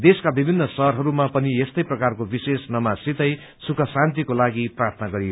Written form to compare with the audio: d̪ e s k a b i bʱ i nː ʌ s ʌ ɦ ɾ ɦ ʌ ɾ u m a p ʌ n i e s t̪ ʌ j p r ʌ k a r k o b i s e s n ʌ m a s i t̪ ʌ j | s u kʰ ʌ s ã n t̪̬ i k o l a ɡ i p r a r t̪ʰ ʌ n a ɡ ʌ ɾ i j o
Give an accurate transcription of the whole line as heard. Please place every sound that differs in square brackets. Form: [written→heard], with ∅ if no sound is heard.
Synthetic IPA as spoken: d̪ e s k a b i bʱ i nː ʌ s ʌ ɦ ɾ ɦ ʌ ɾ u m a p ʌ n i e s t̪ ʌ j p r ʌ k a r k o b i s e s n ʌ m a s i t̪ ʌ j | s u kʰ ʌ s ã n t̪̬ i k o l a ɡ i p r a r t̪ʰ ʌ n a ɡ ʌ ɾ i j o